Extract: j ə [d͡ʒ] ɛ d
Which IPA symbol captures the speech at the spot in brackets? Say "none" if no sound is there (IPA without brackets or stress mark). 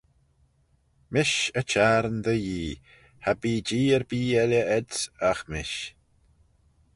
none